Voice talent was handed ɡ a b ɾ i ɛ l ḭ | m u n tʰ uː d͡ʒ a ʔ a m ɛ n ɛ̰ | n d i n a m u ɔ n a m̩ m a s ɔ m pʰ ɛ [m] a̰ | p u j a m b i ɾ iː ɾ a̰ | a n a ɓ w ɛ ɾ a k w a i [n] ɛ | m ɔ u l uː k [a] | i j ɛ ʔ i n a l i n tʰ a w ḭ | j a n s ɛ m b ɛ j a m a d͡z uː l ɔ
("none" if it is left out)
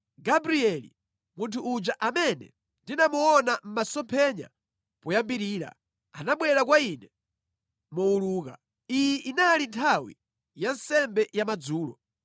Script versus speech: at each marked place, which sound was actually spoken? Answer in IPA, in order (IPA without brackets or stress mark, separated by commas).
ɲ, n, a